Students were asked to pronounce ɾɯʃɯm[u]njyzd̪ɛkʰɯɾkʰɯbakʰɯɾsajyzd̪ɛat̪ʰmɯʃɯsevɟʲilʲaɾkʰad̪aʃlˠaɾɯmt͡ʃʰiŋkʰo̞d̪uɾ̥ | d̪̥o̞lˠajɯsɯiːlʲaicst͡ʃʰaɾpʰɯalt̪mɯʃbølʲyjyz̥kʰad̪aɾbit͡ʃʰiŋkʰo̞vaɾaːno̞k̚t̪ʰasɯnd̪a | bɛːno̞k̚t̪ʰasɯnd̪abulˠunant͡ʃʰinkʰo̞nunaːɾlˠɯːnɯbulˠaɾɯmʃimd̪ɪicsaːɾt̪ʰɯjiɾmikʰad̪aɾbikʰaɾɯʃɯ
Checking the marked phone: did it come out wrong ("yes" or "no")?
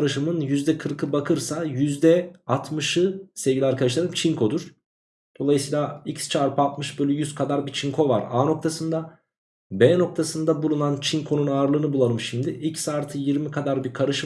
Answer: yes